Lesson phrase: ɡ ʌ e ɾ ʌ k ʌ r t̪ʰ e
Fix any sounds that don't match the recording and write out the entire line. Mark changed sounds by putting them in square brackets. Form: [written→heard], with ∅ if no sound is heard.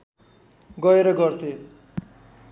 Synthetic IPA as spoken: ɡ ʌ e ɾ ʌ [k→ɡ] ʌ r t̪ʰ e